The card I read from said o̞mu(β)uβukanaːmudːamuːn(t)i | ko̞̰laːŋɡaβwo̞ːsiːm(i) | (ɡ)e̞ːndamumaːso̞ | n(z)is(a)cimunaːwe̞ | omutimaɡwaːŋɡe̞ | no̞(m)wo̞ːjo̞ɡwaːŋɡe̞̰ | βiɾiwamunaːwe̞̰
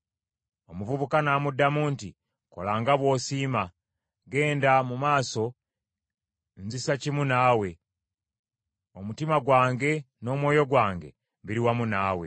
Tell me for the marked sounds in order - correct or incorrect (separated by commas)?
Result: incorrect, correct, incorrect, correct, correct, correct, correct